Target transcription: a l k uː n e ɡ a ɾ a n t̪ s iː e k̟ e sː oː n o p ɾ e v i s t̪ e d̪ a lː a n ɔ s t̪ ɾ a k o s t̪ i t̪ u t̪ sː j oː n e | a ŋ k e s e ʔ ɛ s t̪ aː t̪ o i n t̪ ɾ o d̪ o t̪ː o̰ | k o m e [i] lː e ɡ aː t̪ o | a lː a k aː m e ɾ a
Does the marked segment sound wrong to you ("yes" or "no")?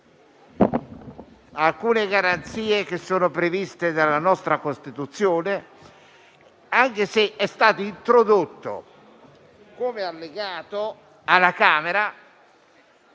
yes